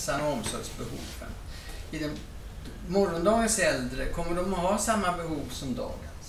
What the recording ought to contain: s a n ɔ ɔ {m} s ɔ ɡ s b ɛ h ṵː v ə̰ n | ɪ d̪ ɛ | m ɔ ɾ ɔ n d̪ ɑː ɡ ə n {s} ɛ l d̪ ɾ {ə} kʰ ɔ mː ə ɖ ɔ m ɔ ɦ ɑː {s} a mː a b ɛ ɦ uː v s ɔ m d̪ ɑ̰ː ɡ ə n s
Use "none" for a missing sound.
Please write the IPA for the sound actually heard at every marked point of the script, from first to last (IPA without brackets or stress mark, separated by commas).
m, s, ə, s